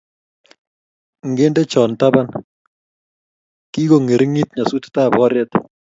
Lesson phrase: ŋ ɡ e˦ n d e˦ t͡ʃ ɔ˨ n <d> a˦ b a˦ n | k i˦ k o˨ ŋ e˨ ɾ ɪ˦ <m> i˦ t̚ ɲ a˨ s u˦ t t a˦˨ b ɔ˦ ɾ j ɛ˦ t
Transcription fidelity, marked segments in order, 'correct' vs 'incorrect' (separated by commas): incorrect, incorrect